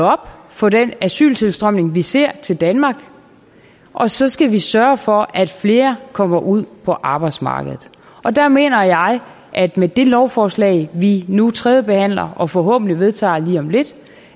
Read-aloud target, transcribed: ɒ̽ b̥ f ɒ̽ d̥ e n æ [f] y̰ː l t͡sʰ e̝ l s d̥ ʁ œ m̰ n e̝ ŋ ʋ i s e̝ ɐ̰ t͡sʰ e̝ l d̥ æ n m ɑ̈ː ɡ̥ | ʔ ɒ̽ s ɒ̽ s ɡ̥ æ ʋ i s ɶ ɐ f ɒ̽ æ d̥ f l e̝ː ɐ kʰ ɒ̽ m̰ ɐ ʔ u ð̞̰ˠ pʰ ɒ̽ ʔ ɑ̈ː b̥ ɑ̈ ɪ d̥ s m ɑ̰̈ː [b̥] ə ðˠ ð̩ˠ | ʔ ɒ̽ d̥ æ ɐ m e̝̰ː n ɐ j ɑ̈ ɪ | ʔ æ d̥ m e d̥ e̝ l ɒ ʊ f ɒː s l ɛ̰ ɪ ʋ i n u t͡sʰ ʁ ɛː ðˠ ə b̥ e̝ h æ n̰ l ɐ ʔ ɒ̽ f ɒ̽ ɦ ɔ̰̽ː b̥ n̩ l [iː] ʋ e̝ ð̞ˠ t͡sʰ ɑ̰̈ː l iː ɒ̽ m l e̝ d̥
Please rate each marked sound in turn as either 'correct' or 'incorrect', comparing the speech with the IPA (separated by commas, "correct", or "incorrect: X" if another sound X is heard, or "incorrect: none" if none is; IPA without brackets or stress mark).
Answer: incorrect: s, incorrect: ɡ̥, incorrect: i